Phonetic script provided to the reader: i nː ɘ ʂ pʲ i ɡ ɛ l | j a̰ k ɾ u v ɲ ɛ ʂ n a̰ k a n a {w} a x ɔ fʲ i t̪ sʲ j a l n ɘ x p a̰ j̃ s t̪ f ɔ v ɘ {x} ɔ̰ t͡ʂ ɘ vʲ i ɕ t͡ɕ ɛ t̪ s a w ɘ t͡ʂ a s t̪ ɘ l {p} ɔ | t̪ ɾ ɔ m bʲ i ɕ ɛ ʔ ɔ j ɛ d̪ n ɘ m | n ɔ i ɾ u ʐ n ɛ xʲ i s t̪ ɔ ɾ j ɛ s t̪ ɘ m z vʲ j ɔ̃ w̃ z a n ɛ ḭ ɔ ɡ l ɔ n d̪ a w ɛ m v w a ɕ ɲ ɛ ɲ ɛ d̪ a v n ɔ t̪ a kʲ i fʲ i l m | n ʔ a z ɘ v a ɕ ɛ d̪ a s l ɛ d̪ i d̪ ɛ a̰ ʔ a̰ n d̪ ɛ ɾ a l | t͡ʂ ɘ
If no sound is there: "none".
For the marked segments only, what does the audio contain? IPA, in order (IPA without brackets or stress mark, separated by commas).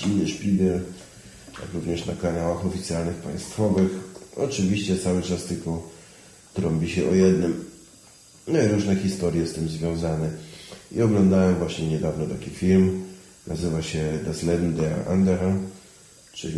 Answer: w, x, k